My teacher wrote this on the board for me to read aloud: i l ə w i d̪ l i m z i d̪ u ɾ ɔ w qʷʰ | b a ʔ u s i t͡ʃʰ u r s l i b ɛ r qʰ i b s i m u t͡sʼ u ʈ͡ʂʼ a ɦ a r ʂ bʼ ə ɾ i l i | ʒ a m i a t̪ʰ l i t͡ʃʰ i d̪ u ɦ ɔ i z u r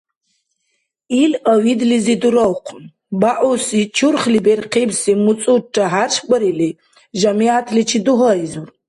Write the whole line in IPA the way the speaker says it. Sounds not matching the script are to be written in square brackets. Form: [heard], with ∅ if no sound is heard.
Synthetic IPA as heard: i l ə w i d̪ l i [∅] z i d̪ u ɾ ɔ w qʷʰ | b a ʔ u s i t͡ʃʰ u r [χ] l i b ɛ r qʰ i b s i m u t͡sʼ u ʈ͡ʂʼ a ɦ a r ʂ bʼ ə ɾ i l i | ʒ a m i a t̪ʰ l i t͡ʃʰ i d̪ u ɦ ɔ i z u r